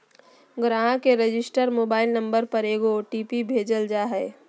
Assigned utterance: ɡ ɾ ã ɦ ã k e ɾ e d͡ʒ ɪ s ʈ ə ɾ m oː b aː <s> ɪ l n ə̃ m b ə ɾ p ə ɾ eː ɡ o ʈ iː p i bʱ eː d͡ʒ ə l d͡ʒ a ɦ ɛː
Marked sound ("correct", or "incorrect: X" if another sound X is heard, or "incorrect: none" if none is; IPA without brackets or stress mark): incorrect: none